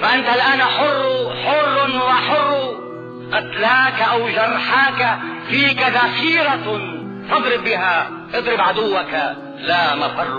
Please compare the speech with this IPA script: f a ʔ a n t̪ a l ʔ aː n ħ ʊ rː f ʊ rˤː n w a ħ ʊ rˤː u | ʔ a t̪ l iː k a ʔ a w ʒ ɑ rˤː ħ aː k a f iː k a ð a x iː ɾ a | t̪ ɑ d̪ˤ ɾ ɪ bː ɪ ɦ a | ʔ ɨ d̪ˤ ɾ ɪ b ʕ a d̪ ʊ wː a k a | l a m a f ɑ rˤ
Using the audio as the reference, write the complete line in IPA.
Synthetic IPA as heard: f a ʔ a n t̪ a l ʔ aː n ħ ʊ rː ħ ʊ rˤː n w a ħ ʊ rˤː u | ʔ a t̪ l aː k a ʔ a w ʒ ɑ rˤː ħ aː k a f iː k a ð a x iː ɾ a | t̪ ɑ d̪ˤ ɾ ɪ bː ɪ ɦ a | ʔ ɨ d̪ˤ ɾ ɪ b ʕ a d̪ ʊ wː a k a | l a m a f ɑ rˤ